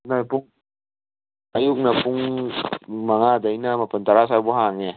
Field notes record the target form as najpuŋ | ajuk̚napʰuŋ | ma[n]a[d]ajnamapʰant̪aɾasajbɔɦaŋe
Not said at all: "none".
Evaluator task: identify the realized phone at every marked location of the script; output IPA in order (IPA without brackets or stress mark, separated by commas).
ŋ, d